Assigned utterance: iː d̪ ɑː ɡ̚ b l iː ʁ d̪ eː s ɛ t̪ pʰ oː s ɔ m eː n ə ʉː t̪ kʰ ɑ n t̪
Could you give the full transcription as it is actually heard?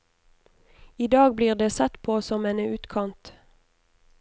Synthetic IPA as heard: iː d̪ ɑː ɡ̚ b l iː ʁ d̪ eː s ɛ t̪ pʰ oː s ɔ m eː n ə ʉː t̪ kʰ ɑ n t̪